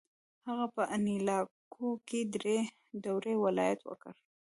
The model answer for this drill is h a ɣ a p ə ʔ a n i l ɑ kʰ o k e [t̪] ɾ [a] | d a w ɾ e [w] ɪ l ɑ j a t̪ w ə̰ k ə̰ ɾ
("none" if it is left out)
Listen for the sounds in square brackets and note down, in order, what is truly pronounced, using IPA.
d̪, e, w

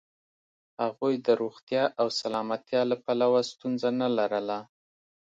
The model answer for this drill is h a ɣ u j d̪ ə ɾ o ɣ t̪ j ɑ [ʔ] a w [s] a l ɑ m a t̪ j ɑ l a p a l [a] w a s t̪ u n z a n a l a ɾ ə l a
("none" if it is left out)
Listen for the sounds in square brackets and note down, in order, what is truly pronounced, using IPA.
ʔ, s, a

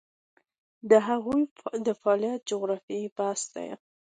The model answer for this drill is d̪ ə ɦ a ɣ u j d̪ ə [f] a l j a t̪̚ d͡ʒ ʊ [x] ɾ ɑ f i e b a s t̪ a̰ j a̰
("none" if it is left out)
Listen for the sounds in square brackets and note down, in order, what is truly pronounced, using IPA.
f, ɣ

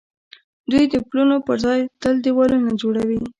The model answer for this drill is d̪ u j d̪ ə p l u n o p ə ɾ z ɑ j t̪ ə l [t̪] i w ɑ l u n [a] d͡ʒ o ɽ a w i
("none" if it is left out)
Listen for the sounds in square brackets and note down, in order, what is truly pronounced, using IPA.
d̪, a

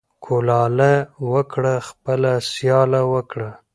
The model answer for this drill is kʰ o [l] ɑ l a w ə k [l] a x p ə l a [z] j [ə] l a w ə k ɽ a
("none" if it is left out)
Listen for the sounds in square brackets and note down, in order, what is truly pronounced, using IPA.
l, ɽ, s, ɑ

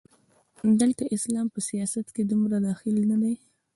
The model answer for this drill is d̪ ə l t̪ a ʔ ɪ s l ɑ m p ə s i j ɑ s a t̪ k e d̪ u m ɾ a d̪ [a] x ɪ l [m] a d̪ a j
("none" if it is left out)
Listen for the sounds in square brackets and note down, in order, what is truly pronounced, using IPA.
ɑ, n

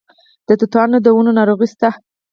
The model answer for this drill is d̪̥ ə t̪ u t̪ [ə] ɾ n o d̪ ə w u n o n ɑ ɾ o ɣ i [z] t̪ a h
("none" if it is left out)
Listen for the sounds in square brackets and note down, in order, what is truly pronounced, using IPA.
ɑ, s

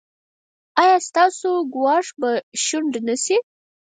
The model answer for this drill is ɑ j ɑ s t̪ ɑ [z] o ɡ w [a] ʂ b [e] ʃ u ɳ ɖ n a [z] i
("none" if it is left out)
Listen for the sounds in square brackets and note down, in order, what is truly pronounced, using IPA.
s, ɑ, a, s

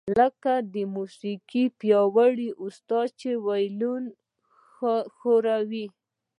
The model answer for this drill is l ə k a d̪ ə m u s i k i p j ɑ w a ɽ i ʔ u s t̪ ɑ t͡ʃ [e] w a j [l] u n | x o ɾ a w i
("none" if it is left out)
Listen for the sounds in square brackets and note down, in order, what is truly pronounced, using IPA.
e, l

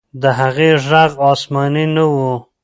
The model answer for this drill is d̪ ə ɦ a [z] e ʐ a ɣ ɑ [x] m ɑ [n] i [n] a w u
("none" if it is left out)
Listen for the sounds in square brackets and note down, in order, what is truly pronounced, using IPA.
ɣ, s, n, n

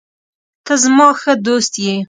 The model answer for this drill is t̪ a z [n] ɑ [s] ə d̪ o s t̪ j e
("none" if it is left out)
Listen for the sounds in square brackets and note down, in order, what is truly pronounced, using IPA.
m, x

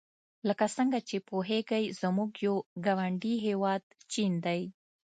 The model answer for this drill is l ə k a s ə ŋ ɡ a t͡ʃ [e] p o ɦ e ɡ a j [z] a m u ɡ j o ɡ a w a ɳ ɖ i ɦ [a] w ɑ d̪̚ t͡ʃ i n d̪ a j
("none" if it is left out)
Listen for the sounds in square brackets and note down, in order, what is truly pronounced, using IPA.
e, z, e

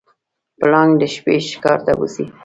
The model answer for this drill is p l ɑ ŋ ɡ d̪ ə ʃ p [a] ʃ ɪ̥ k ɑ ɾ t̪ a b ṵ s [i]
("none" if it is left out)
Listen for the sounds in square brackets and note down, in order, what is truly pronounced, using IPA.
e, i

